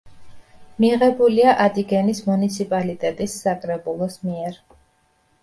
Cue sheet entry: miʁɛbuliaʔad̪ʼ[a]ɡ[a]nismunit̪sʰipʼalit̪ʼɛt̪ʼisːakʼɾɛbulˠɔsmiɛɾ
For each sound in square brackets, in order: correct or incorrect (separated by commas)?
incorrect, incorrect